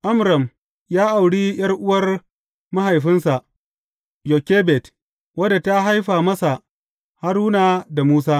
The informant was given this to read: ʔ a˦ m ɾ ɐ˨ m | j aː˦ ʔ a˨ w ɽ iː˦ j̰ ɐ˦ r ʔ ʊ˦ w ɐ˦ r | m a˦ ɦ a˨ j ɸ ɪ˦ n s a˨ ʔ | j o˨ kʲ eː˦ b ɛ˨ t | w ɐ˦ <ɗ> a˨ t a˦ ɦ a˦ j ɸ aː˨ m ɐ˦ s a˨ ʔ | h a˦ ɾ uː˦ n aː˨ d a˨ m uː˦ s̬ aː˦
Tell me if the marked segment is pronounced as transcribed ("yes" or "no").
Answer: no